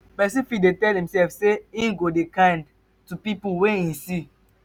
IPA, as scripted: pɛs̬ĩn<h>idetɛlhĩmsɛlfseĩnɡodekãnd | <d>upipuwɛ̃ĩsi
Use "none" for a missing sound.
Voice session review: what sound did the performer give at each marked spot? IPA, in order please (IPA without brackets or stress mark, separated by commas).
f, t